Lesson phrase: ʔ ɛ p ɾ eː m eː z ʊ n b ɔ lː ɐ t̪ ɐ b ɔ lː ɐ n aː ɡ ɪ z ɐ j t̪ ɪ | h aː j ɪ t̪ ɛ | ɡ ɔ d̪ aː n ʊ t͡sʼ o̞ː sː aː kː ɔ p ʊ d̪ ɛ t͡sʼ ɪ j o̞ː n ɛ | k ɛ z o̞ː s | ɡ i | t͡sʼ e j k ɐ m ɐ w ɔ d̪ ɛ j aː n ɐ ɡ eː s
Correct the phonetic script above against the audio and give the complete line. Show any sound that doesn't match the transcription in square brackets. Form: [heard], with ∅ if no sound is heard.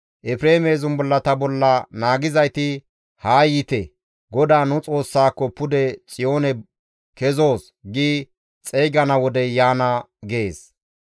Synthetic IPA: ʔ ɛ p ɾ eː m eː z ʊ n b ɔ lː ɐ t̪ ɐ b ɔ lː ɐ n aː ɡ ɪ z ɐ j t̪ ɪ | h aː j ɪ t̪ ɛ | ɡ ɔ d̪ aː n ʊ t͡sʼ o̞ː sː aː kː ɔ p ʊ d̪ ɛ t͡sʼ ɪ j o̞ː n ɛ | k ɛ z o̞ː s | ɡ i | t͡sʼ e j [ɡ] ɐ [n] ɐ w ɔ d̪ ɛ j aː n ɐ ɡ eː s

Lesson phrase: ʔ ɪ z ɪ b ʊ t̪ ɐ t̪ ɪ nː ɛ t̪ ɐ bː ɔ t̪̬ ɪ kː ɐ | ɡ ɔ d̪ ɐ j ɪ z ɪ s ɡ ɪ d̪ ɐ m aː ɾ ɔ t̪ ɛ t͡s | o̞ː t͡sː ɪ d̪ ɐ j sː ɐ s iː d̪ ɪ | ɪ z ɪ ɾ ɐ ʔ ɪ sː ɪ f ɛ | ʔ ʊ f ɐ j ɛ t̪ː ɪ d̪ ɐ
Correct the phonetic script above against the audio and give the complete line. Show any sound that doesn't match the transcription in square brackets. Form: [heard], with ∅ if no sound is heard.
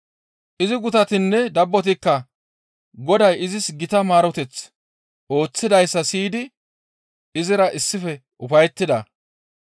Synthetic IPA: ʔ ɪ z ɪ [ɡ] ʊ t̪ ɐ t̪ ɪ nː ɛ [d̪] ɐ bː ɔ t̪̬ ɪ kː ɐ | ɡ ɔ d̪ ɐ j ɪ z ɪ s ɡ ɪ [t̪] ɐ m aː ɾ ɔ t̪ ɛ t͡s | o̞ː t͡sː ɪ d̪ ɐ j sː ɐ s iː d̪ ɪ | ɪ z ɪ ɾ ɐ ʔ ɪ sː ɪ f ɛ | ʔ ʊ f ɐ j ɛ t̪ː ɪ d̪ ɐ

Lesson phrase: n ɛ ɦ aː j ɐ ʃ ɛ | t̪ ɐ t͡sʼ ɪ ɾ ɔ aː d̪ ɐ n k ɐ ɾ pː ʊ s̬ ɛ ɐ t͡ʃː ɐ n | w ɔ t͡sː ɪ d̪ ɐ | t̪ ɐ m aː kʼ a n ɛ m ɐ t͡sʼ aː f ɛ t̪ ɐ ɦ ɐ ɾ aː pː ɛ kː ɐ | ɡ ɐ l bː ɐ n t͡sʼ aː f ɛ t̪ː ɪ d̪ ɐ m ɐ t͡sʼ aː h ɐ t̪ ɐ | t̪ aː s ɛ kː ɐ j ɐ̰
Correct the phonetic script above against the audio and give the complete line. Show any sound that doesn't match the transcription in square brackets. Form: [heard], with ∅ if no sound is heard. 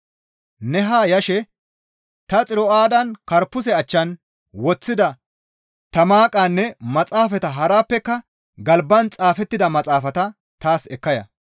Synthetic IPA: n ɛ ɦ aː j ɐ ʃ ɛ | t̪ ɐ t͡sʼ ɪ ɾ ɔ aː d̪ ɐ n k ɐ ɾ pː ʊ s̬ ɛ ɐ t͡ʃː ɐ n | w ɔ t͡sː ɪ d̪ ɐ | t̪ ɐ m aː kʼ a [nː] ɛ m ɐ t͡sʼ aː f ɛ t̪ ɐ ɦ ɐ ɾ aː pː ɛ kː ɐ | ɡ ɐ l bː ɐ n t͡sʼ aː f ɛ t̪ː ɪ d̪ ɐ m ɐ t͡sʼ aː [f] ɐ t̪ ɐ | t̪ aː s ɛ kː ɐ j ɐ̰

